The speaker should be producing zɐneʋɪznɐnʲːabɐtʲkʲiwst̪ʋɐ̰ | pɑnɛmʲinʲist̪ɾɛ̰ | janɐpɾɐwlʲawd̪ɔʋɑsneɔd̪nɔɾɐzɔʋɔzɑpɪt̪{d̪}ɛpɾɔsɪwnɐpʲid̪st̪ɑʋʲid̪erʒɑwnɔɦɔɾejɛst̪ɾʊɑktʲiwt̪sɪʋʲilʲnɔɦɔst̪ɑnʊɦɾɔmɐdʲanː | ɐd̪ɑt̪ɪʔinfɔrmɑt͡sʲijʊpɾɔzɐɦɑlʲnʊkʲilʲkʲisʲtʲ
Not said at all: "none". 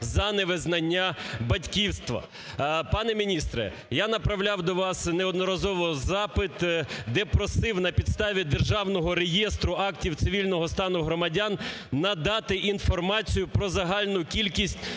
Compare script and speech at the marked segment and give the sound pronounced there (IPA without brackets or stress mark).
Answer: d̪